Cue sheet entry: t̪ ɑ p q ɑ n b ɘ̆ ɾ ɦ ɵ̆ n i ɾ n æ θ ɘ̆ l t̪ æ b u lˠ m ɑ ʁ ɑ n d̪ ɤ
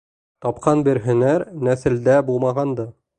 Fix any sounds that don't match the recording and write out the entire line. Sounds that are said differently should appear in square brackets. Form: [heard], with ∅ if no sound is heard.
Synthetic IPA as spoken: t̪ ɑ p q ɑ n b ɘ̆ ɾ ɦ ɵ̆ n [æ] ɾ n æ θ ɘ̆ l [d̪] æ b u lˠ m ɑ ʁ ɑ n d̪ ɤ